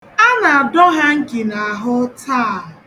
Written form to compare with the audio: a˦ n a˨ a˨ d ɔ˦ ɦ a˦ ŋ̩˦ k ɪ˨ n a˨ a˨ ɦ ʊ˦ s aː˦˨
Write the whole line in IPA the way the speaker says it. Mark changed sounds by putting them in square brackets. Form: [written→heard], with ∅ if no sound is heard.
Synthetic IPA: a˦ n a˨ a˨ d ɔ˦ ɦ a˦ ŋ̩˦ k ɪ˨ n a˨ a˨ ɦ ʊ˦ [s→t] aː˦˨